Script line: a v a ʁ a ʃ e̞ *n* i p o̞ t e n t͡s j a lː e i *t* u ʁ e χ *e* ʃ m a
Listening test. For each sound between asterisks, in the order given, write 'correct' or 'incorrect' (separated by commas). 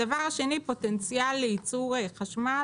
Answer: correct, incorrect, incorrect